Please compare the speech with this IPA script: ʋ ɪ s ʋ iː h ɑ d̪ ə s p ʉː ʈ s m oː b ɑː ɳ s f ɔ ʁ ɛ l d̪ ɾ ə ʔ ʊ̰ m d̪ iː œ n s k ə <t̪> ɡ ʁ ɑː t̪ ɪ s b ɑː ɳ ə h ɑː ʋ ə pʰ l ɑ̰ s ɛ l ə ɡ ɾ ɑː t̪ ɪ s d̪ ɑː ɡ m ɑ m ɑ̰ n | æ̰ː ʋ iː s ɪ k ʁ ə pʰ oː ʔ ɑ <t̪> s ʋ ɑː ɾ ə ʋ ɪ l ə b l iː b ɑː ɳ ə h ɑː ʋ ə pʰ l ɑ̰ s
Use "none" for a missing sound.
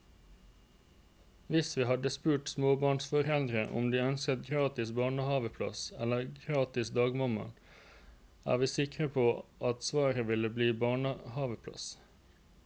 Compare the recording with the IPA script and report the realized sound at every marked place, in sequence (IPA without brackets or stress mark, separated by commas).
t̪, t̪